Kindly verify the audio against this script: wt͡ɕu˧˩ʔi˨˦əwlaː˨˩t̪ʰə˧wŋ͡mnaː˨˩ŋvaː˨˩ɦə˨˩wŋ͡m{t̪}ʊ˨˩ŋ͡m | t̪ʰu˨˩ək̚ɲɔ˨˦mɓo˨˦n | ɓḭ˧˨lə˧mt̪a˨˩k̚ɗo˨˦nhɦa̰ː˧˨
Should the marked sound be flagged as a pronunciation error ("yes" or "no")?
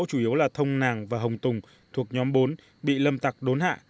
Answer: no